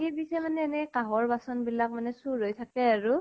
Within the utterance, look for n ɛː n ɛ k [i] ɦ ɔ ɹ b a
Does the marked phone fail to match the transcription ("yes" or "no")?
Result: yes